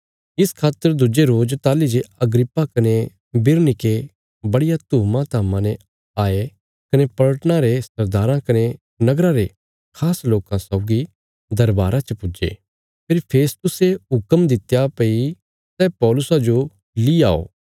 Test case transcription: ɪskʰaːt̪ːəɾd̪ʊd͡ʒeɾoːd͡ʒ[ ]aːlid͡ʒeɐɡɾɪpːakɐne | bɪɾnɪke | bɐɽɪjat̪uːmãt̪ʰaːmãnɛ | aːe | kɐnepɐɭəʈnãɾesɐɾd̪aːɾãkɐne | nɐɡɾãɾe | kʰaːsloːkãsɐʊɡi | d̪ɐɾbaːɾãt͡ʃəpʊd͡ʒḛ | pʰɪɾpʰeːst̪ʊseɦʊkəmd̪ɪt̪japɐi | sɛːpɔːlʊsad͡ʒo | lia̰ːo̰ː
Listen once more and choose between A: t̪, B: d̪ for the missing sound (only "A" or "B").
A